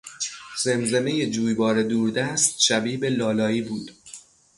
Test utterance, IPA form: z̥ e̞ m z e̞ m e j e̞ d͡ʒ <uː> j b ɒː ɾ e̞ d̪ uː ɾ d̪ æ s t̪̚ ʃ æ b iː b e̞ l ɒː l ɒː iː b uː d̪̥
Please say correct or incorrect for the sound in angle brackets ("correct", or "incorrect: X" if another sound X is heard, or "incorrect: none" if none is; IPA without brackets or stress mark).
correct